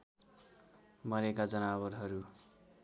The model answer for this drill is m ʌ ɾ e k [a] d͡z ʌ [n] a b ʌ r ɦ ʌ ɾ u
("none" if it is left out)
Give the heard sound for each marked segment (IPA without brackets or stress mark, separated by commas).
a, n